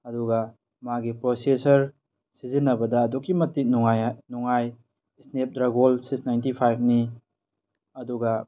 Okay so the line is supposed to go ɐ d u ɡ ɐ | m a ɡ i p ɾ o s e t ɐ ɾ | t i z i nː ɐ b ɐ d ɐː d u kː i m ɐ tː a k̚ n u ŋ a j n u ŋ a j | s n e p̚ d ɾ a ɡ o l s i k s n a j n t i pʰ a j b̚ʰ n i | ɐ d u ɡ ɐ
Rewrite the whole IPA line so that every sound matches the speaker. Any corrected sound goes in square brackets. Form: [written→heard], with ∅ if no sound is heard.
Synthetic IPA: ɐ d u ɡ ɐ | m a ɡ i p ɾ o s e [t→s] ɐ ɾ | [t→s] i z i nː ɐ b ɐ d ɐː d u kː i m ɐ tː [a→i] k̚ n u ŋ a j n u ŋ a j | s n e p̚ d ɾ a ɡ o l s i k s n a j n t i pʰ a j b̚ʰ n i | ɐ d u ɡ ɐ